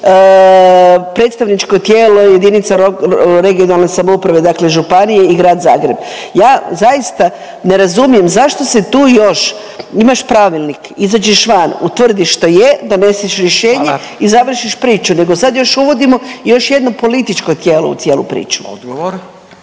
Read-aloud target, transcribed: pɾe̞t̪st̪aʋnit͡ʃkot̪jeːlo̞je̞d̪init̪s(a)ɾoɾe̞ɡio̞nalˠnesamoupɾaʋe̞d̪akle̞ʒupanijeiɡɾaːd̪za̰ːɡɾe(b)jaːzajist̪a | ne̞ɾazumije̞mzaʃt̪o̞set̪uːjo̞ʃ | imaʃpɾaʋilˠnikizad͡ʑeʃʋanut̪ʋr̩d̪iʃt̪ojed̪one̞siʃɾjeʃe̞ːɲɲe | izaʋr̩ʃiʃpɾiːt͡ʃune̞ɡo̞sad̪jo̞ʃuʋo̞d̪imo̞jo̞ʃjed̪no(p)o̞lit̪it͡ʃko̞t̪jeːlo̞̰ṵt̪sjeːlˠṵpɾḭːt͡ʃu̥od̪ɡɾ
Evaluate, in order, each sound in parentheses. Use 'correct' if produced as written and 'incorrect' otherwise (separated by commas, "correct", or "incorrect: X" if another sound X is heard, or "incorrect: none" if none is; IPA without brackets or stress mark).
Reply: correct, correct, correct